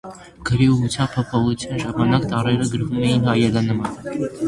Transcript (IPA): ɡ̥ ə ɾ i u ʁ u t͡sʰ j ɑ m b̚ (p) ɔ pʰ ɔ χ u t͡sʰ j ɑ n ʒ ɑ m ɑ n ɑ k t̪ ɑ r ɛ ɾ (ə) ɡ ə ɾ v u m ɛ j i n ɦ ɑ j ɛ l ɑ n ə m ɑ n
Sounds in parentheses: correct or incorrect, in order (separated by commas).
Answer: incorrect, correct